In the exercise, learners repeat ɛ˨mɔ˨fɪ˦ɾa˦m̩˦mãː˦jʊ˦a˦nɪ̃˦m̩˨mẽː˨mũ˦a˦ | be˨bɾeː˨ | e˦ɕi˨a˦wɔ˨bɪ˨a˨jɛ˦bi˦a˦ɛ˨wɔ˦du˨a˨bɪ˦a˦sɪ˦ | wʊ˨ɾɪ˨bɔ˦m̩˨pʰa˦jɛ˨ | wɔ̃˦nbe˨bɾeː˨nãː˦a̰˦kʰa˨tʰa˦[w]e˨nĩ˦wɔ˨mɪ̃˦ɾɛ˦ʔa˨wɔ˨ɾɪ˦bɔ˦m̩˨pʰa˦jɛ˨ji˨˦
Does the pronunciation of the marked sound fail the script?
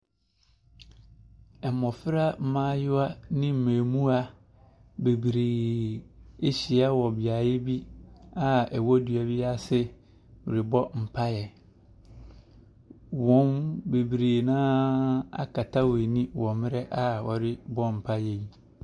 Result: no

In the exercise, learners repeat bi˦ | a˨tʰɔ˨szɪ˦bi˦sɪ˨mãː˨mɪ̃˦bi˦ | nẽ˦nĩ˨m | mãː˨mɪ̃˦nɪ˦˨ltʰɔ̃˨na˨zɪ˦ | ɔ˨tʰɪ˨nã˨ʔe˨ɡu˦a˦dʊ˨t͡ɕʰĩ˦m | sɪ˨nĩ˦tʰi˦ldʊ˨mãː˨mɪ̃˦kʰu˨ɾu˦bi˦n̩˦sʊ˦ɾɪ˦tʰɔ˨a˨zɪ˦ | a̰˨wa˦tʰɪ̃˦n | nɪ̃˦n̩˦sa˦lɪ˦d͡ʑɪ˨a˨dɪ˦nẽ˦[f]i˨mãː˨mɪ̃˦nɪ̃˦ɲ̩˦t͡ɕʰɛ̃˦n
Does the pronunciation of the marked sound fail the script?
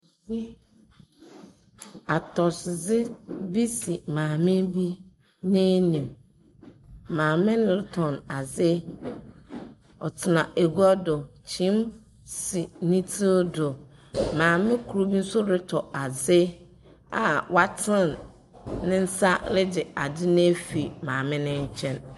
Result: no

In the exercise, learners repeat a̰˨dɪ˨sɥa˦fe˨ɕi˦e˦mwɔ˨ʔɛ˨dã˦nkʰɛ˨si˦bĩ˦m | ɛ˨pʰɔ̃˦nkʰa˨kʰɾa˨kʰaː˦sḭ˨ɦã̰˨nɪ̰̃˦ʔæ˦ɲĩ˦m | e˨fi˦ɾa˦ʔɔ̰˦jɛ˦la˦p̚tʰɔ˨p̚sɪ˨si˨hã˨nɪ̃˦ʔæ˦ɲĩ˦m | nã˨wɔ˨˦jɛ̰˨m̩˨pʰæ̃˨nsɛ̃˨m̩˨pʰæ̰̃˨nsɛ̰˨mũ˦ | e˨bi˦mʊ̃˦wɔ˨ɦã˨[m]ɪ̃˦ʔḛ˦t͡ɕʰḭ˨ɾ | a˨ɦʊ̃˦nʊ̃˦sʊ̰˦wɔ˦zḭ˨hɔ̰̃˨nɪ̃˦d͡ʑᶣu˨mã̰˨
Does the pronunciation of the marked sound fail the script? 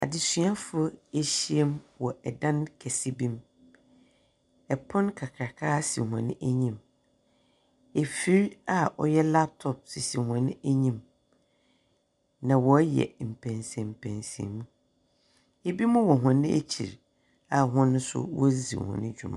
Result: yes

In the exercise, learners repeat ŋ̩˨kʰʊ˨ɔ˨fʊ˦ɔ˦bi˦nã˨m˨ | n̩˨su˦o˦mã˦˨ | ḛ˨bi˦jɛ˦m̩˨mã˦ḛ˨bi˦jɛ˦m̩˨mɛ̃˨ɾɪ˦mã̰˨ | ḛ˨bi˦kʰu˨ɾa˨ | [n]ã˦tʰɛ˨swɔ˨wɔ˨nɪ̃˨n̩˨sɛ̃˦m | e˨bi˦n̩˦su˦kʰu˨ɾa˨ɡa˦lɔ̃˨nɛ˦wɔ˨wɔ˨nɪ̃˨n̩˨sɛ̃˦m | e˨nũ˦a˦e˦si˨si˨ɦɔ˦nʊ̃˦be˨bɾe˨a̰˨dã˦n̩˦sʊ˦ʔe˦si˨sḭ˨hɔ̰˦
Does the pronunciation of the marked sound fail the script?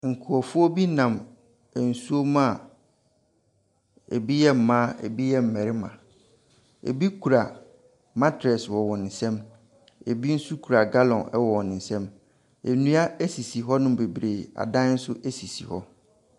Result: yes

